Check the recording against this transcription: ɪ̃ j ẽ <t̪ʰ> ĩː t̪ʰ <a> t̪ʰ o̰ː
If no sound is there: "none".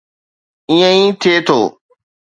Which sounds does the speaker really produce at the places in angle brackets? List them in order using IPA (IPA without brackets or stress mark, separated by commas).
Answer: none, e